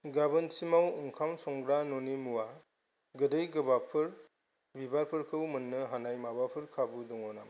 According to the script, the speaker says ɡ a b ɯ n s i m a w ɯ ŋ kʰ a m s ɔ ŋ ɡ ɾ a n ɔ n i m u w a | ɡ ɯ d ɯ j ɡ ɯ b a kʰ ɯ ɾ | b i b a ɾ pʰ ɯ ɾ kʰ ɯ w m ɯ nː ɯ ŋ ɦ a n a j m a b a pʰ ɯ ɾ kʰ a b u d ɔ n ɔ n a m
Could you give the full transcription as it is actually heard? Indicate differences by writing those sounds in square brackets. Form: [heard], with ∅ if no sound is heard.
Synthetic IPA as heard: ɡ a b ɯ n s i m a w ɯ ŋ kʰ a m s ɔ ŋ ɡ ɾ a n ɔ n i m u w a | ɡ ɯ d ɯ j ɡ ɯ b a [pʰ] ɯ ɾ | b i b a ɾ pʰ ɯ ɾ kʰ ɯ w m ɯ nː ɯ [∅] ɦ a n a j m a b a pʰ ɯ ɾ kʰ a b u d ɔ [ŋ] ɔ n a m